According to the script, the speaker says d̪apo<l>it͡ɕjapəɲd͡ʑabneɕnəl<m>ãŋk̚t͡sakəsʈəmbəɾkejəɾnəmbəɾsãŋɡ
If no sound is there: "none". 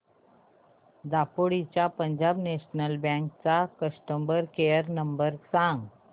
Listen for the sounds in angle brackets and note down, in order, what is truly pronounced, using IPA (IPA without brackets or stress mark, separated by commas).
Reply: ɽ, b